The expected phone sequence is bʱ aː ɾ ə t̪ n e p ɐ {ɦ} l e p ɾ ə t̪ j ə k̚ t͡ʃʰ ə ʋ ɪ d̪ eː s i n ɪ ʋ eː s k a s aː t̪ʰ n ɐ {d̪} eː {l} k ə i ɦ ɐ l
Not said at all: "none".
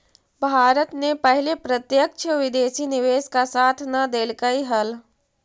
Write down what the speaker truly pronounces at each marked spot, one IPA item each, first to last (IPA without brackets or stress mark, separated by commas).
ɦ, d̪, l